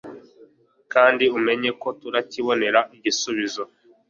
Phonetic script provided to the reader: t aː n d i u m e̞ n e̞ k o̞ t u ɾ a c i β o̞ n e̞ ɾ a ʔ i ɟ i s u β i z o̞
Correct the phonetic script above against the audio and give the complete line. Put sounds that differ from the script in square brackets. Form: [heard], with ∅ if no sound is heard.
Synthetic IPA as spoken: [k] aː n d i u m e̞ [ɲ] e̞ k o̞ t u ɾ a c i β o̞ n e̞ ɾ a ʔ i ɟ i s u β i z o̞